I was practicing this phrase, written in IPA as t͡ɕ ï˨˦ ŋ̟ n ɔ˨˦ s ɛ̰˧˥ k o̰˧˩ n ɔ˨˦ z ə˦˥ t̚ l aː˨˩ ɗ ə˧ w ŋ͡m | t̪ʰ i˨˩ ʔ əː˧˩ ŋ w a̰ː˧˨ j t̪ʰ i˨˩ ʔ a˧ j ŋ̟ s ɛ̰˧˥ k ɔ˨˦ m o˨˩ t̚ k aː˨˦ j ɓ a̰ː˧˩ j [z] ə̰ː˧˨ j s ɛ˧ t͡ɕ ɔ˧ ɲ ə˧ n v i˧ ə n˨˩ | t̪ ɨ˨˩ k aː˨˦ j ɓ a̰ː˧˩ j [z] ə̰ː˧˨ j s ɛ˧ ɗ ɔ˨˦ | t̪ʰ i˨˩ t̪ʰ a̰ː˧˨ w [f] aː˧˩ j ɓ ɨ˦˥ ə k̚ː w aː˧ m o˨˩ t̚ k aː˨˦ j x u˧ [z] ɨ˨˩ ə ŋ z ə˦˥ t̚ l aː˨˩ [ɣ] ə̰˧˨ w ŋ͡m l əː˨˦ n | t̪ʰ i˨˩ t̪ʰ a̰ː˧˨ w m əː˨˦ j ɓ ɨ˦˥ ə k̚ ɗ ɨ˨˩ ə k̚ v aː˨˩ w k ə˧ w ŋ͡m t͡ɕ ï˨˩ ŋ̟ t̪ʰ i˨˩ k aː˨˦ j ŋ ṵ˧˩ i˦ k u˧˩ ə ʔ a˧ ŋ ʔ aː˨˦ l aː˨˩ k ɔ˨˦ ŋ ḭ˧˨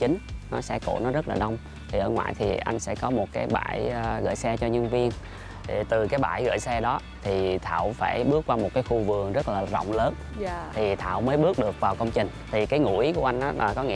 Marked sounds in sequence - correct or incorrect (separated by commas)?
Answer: incorrect, incorrect, correct, incorrect, incorrect